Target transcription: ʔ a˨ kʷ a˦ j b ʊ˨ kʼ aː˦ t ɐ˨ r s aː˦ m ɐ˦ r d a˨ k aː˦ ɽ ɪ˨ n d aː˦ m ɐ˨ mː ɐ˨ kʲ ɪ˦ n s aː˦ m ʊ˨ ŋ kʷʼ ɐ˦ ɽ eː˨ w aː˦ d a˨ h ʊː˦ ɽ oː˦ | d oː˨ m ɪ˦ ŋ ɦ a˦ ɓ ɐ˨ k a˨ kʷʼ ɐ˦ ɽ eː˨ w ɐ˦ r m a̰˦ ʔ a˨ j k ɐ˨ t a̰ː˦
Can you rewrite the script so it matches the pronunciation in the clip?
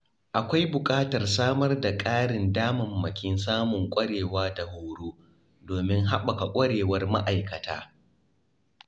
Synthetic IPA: ʔ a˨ kʷ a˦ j b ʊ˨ kʼ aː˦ t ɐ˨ r s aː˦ m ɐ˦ r d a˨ kʼ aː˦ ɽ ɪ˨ n d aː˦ m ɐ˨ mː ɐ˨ kʲ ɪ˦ n s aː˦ m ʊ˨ ŋ kʷʼ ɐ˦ ɽ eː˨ w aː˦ d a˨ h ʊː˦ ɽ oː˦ | d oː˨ m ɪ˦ ŋ ɦ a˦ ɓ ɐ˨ k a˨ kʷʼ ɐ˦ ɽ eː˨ w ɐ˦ r m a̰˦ ʔ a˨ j k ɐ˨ t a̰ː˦